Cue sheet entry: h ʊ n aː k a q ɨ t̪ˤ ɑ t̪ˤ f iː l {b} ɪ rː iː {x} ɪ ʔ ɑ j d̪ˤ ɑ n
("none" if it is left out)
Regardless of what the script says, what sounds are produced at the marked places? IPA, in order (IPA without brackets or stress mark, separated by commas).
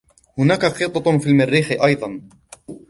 m, x